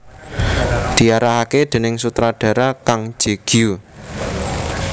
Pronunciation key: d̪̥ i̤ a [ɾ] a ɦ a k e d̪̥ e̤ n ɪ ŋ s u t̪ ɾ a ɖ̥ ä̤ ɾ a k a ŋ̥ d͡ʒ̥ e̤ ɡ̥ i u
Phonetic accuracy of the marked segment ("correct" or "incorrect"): correct